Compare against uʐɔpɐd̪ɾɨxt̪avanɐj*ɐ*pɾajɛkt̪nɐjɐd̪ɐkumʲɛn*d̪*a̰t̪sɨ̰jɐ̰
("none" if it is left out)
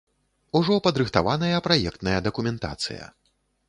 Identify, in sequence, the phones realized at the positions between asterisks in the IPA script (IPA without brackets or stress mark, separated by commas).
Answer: ɐ, t̪